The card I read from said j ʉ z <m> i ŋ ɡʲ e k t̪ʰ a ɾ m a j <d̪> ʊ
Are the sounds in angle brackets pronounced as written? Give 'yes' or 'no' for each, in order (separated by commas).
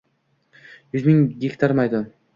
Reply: yes, yes